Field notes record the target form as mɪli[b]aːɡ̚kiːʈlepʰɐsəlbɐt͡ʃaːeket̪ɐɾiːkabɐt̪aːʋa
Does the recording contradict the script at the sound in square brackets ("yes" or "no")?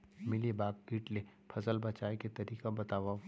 no